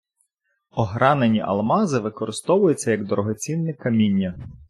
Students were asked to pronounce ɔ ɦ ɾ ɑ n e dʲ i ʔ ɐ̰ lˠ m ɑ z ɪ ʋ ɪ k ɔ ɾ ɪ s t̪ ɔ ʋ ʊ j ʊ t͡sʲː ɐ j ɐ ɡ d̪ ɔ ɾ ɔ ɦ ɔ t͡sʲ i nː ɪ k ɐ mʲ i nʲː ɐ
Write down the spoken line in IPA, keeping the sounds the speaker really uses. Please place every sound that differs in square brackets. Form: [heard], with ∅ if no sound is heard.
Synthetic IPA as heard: ɔ ɦ ɾ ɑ n e [nʲ] i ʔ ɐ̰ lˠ m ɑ z ɪ ʋ ɪ k ɔ ɾ ɪ s t̪ ɔ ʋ ʊ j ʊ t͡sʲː ɐ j ɐ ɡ d̪ ɔ ɾ ɔ ɦ ɔ t͡sʲ i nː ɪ k ɐ mʲ i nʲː ɐ